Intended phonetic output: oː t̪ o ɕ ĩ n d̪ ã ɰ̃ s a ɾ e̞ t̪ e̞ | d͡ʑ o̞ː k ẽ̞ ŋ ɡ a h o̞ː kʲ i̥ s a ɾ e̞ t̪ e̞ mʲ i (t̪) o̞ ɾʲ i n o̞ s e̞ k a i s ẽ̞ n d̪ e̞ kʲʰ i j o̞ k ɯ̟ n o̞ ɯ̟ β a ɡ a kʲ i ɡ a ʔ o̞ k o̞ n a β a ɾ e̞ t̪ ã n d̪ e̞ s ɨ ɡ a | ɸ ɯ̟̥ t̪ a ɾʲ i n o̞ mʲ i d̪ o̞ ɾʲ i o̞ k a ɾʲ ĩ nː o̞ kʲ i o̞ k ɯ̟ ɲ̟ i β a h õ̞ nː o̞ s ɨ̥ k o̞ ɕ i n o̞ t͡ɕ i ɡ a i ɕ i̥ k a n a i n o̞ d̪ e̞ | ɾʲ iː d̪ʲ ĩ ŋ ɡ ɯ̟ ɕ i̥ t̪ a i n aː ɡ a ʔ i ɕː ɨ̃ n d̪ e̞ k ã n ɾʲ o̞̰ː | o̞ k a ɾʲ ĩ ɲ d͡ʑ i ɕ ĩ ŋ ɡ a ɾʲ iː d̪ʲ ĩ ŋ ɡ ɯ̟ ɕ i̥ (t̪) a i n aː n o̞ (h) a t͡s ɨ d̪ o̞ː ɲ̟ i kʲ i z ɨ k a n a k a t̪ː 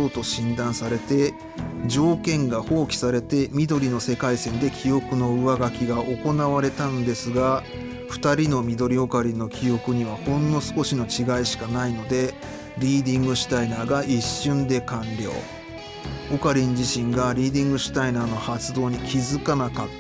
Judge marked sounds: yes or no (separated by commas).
no, yes, yes